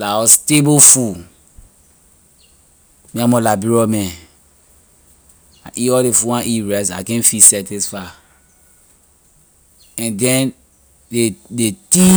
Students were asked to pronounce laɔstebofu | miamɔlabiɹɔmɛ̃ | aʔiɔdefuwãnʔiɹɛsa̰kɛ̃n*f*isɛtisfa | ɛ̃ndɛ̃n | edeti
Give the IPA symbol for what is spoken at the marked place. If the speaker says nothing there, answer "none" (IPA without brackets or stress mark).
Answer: f